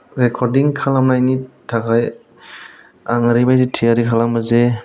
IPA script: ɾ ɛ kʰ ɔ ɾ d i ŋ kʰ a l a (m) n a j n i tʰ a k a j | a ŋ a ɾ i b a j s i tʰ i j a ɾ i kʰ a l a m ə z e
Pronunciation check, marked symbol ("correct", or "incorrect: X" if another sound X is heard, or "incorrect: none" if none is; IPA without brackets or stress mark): correct